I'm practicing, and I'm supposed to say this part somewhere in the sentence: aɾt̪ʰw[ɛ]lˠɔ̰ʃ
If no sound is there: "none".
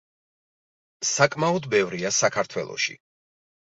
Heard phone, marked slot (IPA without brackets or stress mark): ɛ